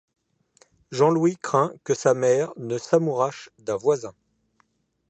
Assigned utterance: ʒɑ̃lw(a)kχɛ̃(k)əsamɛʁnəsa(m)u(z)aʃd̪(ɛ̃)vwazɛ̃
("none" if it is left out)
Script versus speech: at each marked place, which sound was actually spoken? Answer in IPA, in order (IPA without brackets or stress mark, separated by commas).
i, k, m, ʁ, ɛ̃